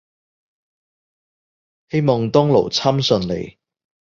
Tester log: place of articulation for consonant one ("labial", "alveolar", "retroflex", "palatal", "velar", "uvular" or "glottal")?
glottal